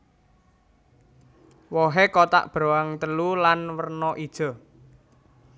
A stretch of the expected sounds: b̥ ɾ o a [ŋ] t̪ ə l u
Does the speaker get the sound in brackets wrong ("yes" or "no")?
no